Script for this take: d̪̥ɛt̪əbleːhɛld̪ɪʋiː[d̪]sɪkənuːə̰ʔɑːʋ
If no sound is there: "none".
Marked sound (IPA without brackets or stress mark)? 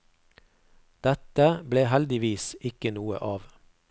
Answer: none